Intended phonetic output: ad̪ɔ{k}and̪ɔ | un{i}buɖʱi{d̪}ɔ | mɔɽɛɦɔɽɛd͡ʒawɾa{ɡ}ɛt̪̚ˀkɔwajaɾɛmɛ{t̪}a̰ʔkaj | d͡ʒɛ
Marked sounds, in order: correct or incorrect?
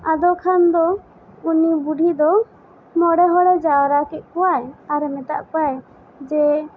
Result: incorrect, correct, correct, incorrect, correct

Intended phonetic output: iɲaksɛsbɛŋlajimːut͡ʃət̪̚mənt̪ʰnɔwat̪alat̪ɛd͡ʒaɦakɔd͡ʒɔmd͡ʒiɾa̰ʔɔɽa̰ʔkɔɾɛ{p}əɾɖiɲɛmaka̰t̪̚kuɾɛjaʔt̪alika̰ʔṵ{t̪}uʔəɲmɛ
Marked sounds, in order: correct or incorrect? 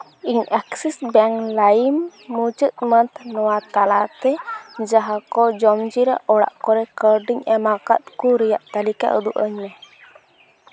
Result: incorrect, incorrect

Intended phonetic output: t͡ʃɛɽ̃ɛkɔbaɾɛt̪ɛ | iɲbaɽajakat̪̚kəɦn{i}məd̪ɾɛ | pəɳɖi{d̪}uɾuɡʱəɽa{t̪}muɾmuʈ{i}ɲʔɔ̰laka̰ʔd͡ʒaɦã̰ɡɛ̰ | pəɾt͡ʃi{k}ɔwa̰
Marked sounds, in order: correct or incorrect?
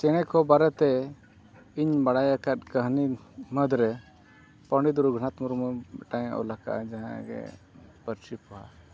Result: correct, correct, correct, incorrect, incorrect

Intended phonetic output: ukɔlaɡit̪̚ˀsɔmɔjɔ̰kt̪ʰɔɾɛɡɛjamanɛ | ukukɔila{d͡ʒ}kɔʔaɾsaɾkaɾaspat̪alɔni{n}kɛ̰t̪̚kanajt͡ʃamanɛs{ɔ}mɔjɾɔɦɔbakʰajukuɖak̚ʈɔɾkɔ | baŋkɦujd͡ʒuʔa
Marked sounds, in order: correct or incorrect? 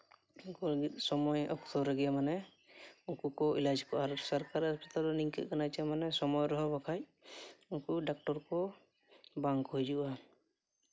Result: correct, incorrect, correct

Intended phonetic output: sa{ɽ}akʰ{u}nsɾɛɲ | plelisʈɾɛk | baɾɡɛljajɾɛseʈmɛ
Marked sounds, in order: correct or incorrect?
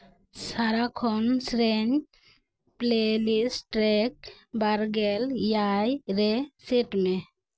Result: incorrect, incorrect

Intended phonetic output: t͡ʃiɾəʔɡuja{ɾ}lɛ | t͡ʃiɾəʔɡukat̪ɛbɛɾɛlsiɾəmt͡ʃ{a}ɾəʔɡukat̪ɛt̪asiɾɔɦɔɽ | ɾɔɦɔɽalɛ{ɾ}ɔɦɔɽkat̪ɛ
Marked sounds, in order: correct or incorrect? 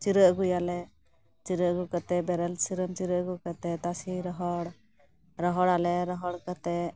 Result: incorrect, incorrect, correct

